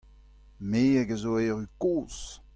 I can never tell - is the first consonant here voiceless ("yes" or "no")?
no